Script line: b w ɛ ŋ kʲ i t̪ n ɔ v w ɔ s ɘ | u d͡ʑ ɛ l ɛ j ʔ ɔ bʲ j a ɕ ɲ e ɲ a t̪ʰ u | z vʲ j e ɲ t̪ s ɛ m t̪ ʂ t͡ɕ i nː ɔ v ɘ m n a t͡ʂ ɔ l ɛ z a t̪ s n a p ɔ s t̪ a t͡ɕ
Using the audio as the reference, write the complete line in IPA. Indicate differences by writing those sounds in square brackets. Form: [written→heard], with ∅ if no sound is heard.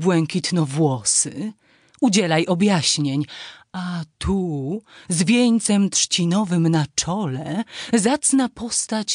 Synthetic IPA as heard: b w ɛ ŋ kʲ i t̪ n ɔ v w ɔ s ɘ | u d͡ʑ ɛ l [ɛ→a] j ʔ ɔ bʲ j a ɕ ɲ e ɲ a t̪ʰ u | z vʲ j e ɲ t̪ s ɛ m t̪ ʂ t͡ɕ i [nː→n] ɔ v ɘ m n a t͡ʂ ɔ l ɛ z a t̪ s n a p ɔ s t̪ a t͡ɕ